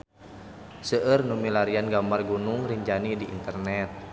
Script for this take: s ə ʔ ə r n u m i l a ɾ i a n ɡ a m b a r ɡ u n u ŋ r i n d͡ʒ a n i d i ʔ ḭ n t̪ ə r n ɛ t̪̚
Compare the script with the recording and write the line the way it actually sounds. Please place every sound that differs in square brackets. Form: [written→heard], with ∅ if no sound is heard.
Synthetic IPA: s ə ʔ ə r n u m i l a ɾ i a n ɡ a m b a r ɡ u n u ŋ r i [n→ɲ] d͡ʒ a n i d i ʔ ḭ n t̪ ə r n ɛ t̪̚